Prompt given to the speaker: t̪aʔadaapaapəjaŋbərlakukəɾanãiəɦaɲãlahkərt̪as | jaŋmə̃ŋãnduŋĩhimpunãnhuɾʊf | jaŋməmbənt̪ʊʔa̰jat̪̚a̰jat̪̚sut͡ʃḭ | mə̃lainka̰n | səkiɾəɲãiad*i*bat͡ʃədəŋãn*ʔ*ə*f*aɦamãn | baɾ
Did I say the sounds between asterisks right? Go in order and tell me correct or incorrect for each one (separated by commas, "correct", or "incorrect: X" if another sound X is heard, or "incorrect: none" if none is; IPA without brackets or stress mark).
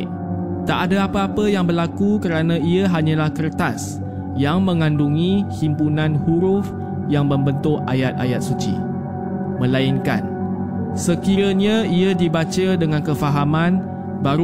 correct, incorrect: k, correct